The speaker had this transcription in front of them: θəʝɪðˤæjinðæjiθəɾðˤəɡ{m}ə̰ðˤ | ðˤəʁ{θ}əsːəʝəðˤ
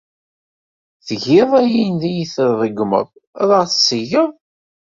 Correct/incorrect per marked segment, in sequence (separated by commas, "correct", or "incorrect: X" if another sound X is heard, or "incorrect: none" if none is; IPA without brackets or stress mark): correct, correct